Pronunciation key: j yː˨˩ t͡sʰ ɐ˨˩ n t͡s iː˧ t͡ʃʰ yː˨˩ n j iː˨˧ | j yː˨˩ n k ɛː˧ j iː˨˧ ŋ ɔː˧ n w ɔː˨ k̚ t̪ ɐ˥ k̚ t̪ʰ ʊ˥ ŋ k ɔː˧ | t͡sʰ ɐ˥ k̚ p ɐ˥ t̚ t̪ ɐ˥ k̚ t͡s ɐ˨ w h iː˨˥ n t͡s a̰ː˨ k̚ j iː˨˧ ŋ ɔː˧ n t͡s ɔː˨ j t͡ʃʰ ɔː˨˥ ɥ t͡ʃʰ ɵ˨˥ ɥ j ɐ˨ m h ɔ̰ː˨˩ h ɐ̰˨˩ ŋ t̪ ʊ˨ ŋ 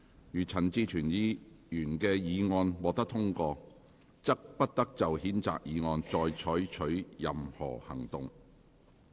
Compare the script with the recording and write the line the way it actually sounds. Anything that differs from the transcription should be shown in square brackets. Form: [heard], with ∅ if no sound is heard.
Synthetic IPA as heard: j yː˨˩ t͡sʰ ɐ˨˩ n t͡s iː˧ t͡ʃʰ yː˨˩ n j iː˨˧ | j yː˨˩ n k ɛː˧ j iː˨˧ ŋ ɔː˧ n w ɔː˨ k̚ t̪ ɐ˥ k̚ t̪ʰ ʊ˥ ŋ k ɔː˧ | [t͡s] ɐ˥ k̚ p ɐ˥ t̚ t̪ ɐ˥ k̚ t͡s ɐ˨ w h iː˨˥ n t͡s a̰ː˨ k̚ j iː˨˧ ŋ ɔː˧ n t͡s ɔː˨ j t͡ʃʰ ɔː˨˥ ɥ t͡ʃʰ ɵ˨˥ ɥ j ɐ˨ m h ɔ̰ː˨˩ h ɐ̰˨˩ ŋ t̪ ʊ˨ ŋ